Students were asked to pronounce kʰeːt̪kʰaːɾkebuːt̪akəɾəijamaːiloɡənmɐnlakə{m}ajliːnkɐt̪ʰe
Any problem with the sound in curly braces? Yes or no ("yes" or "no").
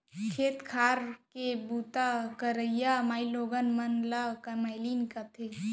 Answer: no